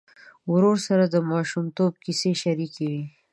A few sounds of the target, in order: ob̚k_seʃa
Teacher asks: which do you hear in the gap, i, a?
i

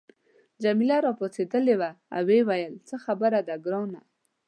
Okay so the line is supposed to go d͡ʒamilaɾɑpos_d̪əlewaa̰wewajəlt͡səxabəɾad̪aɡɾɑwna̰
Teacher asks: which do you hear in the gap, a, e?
e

